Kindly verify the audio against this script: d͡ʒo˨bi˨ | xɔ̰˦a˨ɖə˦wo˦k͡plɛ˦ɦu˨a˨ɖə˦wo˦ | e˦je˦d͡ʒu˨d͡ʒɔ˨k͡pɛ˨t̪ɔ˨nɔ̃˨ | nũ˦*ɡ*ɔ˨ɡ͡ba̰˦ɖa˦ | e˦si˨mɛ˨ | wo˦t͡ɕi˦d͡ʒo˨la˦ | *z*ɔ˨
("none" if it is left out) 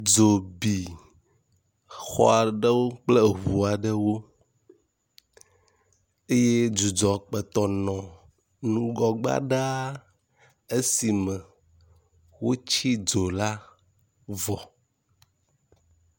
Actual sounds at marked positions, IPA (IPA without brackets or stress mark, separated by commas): ɡ, v